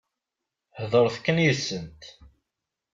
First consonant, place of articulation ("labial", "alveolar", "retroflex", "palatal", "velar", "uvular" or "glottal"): glottal